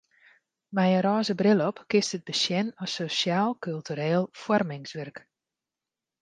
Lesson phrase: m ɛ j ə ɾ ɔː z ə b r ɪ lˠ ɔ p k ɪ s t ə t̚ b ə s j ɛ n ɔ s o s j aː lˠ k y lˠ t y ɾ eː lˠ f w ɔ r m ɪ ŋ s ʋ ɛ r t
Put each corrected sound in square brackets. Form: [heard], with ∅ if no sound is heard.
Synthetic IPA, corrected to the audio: m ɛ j ə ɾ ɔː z ə b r ɪ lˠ ɔ p k ɪ s t ə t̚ b ə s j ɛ n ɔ s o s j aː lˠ k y lˠ t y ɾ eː lˠ f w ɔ r m ɪ ŋ s ʋ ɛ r [k]

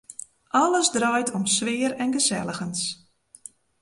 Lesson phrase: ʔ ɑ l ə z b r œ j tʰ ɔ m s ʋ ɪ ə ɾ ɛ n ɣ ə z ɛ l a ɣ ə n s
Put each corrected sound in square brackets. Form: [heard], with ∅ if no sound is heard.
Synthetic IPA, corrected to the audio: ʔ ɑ l ə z [d] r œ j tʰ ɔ m s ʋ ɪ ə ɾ ɛ n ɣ ə z ɛ l [ə] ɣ ə n s

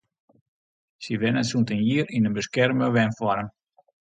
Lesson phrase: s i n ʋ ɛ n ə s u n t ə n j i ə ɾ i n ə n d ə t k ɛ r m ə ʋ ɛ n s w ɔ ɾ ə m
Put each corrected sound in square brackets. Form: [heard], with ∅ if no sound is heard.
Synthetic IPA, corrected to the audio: s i [∅] ʋ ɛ n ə s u n t ə n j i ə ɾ i n ə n [b] ə [s] k ɛ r m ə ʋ ɛ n [f] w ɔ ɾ ə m

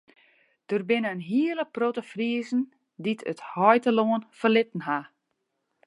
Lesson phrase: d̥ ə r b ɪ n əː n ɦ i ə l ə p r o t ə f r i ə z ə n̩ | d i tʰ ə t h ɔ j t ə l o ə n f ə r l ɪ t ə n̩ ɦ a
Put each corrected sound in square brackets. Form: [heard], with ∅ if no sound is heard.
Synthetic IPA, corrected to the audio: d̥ ə r b ɪ n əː n ɦ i ə l ə p r o t ə f r i ə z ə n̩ | d i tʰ ə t h ɔ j t ə l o ə n f ə r l ɪ t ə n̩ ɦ a

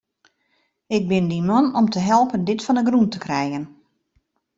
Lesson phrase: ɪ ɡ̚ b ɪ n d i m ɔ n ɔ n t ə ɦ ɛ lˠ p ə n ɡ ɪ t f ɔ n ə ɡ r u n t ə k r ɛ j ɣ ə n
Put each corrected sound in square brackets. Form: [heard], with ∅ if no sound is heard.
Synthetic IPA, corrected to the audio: ɪ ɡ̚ b ɪ n d i m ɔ n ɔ [m] t ə ɦ ɛ lˠ p ə n [d] ɪ t f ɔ n ə ɡ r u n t ə k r ɛ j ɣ ə n

